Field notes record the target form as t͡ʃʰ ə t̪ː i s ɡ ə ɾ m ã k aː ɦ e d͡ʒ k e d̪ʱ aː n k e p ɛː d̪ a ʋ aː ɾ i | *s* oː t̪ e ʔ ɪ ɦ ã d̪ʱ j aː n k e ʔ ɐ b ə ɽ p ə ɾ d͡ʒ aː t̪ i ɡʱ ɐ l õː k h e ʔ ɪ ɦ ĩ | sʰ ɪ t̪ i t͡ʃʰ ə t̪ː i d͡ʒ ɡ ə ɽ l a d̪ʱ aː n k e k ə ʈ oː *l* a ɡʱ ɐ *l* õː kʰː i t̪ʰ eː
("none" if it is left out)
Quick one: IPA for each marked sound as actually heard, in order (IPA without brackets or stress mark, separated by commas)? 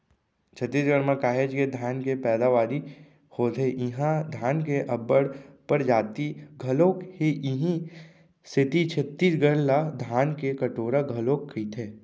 h, ɾ, l